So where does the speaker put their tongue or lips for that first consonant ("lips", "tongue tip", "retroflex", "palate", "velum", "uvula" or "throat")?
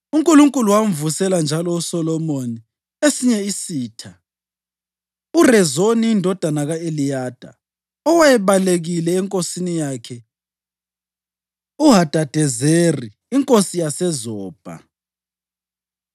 velum